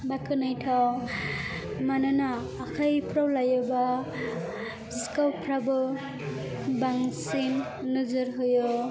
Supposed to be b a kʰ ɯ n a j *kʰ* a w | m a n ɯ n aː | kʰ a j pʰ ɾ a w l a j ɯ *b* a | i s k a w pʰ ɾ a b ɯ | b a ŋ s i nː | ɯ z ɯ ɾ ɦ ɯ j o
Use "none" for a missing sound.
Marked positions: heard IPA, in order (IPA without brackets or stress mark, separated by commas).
tʰ, b